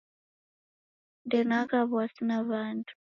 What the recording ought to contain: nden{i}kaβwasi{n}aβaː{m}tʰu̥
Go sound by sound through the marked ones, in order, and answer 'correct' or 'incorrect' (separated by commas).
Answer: incorrect, correct, incorrect